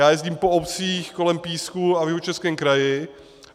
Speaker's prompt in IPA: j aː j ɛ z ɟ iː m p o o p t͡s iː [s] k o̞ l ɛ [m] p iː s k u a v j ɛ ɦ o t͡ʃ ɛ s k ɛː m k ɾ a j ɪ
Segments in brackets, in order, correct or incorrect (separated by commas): incorrect, correct